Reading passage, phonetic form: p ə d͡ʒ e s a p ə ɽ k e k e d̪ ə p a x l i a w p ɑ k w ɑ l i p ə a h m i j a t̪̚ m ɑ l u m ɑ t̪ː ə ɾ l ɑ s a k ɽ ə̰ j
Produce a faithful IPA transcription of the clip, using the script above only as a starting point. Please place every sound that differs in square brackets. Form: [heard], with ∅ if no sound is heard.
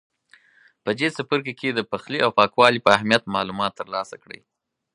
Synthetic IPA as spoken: p ə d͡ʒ e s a p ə [ɾ] k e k e d̪ ə p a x l i a w p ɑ k w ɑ l i p ə a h m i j a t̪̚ m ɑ l u m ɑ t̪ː ə ɾ l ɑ s a k ɽ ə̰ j